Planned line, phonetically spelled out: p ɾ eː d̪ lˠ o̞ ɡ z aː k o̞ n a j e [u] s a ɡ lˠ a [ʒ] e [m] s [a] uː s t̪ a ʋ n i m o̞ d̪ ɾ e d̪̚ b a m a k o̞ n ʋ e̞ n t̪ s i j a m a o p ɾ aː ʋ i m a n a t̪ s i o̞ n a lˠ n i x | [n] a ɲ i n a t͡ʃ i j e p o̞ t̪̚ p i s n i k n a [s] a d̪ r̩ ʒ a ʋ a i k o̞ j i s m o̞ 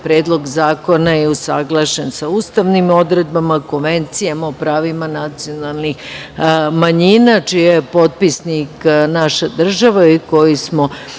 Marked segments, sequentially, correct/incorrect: correct, incorrect: ʃ, incorrect: n, correct, incorrect: m, incorrect: ʃ

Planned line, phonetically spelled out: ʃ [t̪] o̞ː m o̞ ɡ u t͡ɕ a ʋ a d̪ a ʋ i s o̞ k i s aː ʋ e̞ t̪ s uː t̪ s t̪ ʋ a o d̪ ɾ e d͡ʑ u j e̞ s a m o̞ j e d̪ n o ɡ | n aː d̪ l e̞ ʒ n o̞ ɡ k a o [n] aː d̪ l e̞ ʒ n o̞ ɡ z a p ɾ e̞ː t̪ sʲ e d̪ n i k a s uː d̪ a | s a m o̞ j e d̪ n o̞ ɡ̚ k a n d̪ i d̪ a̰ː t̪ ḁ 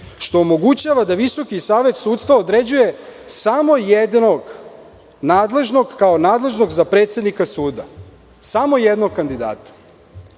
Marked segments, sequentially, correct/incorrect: correct, correct

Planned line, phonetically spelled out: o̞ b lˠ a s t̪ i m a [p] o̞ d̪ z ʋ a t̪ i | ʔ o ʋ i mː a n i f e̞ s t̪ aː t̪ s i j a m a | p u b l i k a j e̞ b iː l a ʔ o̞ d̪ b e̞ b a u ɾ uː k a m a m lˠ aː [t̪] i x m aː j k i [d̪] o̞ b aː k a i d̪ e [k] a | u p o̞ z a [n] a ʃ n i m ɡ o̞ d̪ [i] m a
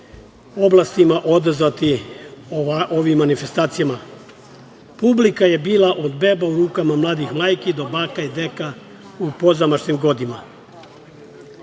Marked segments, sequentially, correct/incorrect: incorrect: ʔ, incorrect: d̪, correct, correct, incorrect: m, correct

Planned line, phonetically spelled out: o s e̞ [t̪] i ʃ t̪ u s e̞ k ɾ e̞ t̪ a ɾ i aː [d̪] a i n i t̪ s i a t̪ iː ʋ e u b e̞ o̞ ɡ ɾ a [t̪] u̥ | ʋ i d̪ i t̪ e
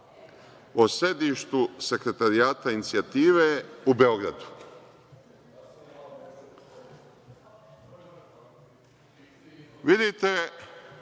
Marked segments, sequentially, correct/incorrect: incorrect: d̪, incorrect: t̪, incorrect: d̪

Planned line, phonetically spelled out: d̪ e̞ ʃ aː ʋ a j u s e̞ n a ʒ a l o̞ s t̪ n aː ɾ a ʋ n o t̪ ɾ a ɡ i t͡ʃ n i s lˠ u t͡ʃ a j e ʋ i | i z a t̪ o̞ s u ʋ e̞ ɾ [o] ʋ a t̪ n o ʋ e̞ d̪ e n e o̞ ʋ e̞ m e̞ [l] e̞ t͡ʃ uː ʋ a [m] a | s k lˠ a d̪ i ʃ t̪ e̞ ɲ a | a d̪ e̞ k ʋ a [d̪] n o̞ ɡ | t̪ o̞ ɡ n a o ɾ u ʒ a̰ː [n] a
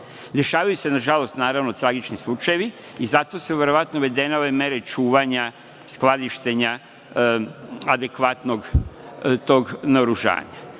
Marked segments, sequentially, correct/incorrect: correct, incorrect: ɾ, incorrect: ɲ, incorrect: t̪, incorrect: ɲ

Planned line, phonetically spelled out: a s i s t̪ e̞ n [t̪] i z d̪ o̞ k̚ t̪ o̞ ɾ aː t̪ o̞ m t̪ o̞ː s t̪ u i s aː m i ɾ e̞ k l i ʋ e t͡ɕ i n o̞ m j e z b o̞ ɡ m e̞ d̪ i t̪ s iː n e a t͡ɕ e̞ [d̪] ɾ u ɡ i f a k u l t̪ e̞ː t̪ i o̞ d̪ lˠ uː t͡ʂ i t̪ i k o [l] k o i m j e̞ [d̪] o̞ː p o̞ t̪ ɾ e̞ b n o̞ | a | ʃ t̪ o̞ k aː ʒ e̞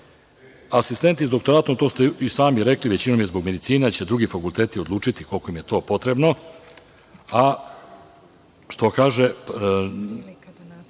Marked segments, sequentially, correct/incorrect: correct, correct, correct, incorrect: t̪

